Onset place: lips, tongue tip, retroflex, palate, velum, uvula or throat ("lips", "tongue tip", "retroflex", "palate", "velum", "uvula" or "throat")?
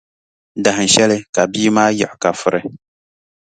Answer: tongue tip